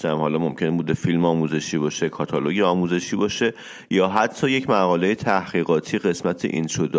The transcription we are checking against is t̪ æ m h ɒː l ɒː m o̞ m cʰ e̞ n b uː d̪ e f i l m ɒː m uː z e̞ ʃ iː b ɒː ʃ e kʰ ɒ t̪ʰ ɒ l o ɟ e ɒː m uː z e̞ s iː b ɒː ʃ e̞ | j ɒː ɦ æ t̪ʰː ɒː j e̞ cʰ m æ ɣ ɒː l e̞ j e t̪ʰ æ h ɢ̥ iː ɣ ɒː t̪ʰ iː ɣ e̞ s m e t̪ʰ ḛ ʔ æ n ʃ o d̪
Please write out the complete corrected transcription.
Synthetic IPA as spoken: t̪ æ m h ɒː l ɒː m o̞ m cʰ e̞ n b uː d̪ e f i l m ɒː m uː z e̞ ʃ iː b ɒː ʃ e kʰ ɒ t̪ʰ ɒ l o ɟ e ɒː m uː z e̞ ʃ iː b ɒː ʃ e̞ | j ɒː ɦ æ t̪ʰː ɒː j e̞ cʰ m æ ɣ ɒː l e̞ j e t̪ʰ æ h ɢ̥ iː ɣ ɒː t̪ʰ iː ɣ e̞ s m æ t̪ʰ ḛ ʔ i n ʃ o d̪